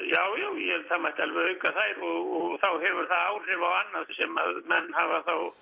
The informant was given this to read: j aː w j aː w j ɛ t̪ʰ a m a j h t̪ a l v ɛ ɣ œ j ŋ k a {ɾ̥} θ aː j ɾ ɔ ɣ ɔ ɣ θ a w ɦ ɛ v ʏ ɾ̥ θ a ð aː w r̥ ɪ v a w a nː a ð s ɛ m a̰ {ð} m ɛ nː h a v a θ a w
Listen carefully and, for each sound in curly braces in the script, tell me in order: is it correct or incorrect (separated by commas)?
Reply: incorrect, correct